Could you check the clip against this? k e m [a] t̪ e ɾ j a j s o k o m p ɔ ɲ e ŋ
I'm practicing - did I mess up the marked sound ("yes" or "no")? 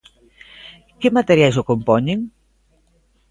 no